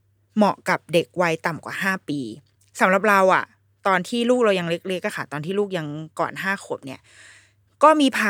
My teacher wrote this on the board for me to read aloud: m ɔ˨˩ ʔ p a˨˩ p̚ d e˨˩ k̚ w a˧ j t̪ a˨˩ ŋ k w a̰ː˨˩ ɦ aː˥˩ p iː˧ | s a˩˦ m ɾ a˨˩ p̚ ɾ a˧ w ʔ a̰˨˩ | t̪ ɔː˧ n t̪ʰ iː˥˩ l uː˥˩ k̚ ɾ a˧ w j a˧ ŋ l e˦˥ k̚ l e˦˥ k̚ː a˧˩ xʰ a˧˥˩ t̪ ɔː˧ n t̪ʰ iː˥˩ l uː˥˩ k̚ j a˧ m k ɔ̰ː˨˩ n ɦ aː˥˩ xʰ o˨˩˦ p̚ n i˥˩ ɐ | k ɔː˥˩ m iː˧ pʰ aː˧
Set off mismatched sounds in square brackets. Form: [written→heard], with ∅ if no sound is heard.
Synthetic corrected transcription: m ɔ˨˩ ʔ [p→k] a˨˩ p̚ d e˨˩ k̚ w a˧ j t̪ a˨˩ [ŋ→m] k w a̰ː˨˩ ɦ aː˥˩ p iː˧ | s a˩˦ m ɾ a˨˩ p̚ ɾ a˧ w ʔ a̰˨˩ | t̪ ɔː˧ n t̪ʰ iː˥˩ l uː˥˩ k̚ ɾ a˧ w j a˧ ŋ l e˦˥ k̚ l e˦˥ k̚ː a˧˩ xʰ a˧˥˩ t̪ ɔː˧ n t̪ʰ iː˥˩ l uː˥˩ k̚ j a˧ [m→ŋ] k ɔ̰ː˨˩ n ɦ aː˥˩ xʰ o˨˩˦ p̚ n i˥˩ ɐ | k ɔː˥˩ m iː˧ pʰ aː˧